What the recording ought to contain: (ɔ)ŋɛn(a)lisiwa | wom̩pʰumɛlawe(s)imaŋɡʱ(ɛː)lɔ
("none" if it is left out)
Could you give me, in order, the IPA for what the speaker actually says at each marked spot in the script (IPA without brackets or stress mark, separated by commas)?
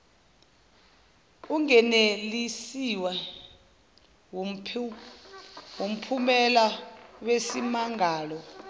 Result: u, e, s, aː